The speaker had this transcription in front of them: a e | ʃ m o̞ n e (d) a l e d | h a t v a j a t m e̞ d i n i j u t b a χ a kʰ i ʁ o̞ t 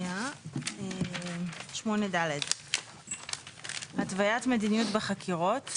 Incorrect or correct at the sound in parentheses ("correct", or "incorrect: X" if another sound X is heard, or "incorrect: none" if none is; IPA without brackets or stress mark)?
correct